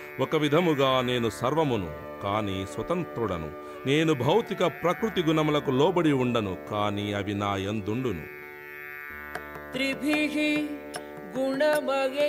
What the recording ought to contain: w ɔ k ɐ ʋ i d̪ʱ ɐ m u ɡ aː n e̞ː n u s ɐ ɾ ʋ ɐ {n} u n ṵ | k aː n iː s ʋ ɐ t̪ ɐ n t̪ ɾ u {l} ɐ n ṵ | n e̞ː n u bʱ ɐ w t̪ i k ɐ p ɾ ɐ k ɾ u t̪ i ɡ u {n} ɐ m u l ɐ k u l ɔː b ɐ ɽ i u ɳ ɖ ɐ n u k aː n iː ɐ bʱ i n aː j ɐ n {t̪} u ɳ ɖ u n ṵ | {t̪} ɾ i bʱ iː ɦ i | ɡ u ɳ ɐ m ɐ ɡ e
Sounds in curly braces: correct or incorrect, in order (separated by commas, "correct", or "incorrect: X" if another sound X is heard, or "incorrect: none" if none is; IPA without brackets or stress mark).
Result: incorrect: m, incorrect: ɽ, correct, incorrect: d̪, correct